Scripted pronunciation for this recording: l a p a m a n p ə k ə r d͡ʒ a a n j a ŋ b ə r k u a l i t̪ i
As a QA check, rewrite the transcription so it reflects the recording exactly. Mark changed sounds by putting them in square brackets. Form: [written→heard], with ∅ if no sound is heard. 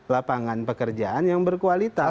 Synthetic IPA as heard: l a p a [m→ŋ] a n p ə k ə r d͡ʒ a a n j a ŋ b ə r k u a l i t̪ [i→a]

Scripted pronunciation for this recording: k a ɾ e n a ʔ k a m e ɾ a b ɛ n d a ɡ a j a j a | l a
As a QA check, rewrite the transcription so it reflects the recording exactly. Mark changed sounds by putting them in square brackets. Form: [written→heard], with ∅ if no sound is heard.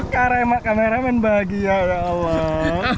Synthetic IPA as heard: k a ɾ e [n→m] a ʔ k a m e ɾ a [b→m] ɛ n [d→b] a ɡ [a→i] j a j a | l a

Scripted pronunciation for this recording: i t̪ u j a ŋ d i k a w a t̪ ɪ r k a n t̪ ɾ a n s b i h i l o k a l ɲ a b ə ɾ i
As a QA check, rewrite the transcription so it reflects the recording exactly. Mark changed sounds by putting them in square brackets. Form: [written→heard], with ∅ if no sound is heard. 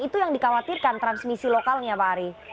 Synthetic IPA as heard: i t̪ u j a ŋ d i k a w a t̪ [ɪ→i] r k a n t̪ ɾ a n s [b→m] i [h→s] i l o k a l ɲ a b [ə→a] ɾ i

